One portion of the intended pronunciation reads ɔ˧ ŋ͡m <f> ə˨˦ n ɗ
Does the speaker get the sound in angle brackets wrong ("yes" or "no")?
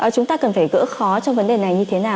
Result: yes